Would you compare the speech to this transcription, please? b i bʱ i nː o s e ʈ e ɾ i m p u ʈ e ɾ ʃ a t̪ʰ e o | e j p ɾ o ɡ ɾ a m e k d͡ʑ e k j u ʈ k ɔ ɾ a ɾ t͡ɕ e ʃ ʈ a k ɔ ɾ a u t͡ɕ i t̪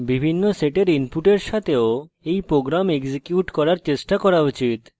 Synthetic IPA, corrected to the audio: b i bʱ i nː o s e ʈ e ɾ i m p u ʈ e ɾ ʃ a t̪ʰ e o | e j p ɾ o ɡ ɾ a m e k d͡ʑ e k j u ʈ k ɔ ɾ a ɾ t͡ɕ e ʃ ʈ a k ɔ ɾ a u t͡ɕ i t̪